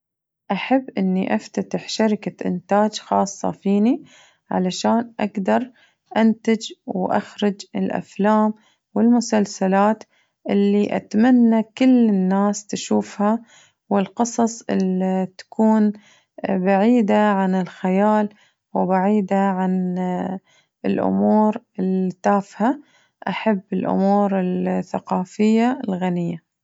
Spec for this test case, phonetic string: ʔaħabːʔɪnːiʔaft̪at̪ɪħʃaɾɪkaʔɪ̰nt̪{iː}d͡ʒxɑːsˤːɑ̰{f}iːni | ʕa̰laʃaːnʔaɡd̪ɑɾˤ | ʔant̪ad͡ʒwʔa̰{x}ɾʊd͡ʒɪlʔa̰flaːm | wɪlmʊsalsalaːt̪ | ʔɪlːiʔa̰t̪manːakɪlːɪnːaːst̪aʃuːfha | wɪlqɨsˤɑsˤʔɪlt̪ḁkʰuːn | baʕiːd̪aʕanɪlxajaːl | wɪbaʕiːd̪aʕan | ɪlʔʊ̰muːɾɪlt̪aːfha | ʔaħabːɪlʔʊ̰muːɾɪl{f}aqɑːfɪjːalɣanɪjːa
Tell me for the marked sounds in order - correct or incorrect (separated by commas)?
incorrect, correct, correct, incorrect